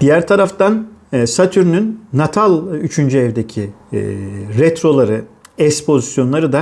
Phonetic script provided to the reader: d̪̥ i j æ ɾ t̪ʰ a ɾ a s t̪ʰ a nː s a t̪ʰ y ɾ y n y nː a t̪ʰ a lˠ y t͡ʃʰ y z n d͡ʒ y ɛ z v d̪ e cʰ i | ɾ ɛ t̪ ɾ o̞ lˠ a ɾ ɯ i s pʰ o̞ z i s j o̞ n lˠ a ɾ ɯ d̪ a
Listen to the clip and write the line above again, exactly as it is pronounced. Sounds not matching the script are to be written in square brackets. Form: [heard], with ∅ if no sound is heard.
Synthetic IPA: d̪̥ i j æ ɾ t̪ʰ a ɾ a [f] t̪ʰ a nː s a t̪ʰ y ɾ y n y nː a t̪ʰ a lˠ y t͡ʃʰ y [∅] n d͡ʒ y ɛ [∅] v d̪ e cʰ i | ɾ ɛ t̪ ɾ o̞ lˠ a ɾ ɯ [ɛ] s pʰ o̞ z i s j o̞ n lˠ a ɾ ɯ d̪ a